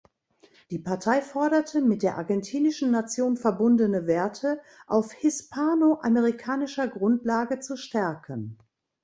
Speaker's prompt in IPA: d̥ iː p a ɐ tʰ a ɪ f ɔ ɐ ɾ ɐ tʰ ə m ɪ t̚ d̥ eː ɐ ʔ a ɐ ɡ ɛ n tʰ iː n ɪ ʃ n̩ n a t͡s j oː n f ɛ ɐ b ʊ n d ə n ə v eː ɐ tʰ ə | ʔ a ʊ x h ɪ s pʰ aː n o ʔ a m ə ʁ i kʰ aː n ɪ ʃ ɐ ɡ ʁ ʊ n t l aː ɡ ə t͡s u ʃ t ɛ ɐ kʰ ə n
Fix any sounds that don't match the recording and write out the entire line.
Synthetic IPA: d̥ iː p a ɐ tʰ a ɪ f ɔ ɐ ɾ ɐ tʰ ə m ɪ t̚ d̥ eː ɐ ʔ a ɐ ɡ ɛ n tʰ iː n ɪ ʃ n̩ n a t͡s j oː n f ɛ ɐ b ʊ n d ə n ə v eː ɐ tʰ ə | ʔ a ʊ f h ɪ s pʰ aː n o ʔ a m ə ʁ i kʰ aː n ɪ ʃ ɐ ɡ ʁ ʊ n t l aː ɡ ə t͡s u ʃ t ɛ ɐ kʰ ə n